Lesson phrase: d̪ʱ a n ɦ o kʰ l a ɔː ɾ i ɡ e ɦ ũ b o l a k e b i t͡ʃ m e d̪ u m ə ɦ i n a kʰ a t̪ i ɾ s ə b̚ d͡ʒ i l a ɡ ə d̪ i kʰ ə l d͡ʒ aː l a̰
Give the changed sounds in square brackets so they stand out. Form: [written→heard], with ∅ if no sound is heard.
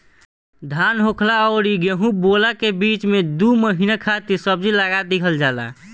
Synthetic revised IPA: d̪ʱ a n ɦ o kʰ l a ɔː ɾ i ɡ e ɦ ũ b o l a k e b i t͡ʃ m e d̪ u m ə ɦ i n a kʰ a t̪ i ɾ s ə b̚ d͡ʒ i l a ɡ [ə→a] d̪ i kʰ ə l d͡ʒ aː l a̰